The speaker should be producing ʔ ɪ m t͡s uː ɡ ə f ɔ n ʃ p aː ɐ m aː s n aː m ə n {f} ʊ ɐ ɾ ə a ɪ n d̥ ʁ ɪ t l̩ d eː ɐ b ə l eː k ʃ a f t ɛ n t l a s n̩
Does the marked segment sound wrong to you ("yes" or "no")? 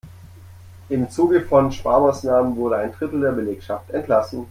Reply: yes